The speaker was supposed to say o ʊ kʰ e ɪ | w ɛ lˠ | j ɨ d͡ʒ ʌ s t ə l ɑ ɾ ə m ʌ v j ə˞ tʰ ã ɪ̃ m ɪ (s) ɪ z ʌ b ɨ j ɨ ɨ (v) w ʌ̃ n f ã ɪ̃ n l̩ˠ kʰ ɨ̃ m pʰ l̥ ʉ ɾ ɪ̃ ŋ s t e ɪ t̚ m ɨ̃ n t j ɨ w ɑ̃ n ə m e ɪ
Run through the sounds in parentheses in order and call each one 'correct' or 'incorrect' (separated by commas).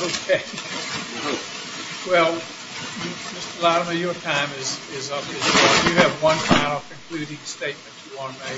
incorrect, correct